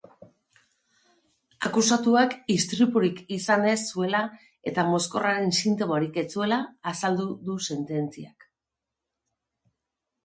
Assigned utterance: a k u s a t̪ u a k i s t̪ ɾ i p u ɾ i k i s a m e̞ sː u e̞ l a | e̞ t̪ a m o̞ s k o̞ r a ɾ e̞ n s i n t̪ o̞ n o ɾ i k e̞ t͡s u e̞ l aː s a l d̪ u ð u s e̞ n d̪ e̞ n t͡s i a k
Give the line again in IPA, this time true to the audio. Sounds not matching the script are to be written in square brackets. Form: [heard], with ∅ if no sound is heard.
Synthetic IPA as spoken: a k u s a t̪ u a k i s t̪ ɾ i p u ɾ i k i s a [n] e̞ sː u e̞ l a | e̞ t̪ a m o̞ s k o̞ r a ɾ e̞ n s i n t̪ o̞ [m] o ɾ i k e̞ t͡s u e̞ l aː s a l d̪ u ð u s e̞ n [t̪] e̞ n t͡s i a k